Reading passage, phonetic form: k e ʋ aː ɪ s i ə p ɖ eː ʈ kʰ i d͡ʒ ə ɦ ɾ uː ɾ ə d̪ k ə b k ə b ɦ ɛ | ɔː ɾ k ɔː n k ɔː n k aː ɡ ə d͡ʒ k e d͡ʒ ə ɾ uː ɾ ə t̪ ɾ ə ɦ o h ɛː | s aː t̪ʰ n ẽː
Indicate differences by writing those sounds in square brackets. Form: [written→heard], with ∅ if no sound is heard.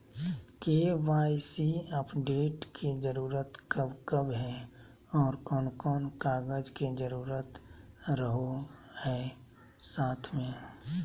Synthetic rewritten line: k e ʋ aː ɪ s i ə p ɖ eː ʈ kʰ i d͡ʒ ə [ɦ→∅] ɾ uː ɾ ə [d̪→t̪] k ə b k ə b ɦ ɛ | ɔː ɾ k ɔː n k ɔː n k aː ɡ ə d͡ʒ k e d͡ʒ ə ɾ uː ɾ ə t̪ ɾ ə ɦ o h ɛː | s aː t̪ʰ [n→m] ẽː